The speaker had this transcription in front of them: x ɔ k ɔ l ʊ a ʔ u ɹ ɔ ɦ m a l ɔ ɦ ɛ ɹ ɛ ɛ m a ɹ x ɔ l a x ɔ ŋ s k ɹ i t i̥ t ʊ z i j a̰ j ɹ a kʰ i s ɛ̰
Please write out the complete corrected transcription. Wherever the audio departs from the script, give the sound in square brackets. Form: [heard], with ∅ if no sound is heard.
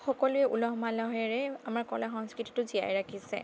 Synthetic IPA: x ɔ k ɔ l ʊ [ɛ] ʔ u [l] ɔ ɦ m a l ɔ ɦ ɛ ɹ ɛ [a] m a ɹ [k] ɔ l a x ɔ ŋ s k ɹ i t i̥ t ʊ z i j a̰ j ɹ a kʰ i s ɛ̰